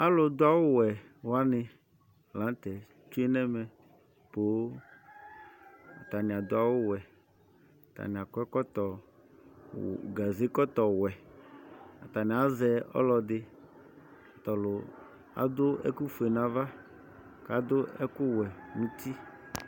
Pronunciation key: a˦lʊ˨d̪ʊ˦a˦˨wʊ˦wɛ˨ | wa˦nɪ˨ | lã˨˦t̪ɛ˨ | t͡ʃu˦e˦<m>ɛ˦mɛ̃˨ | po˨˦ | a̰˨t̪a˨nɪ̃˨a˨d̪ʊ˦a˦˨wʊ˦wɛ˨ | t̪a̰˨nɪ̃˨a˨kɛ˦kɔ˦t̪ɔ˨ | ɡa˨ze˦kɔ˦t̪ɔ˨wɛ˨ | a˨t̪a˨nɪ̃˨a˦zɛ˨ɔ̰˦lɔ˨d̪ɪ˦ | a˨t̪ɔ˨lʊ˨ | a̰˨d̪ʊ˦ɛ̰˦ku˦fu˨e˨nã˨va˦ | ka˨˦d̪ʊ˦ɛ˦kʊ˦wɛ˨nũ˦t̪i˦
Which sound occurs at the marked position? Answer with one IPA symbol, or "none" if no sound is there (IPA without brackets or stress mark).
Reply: n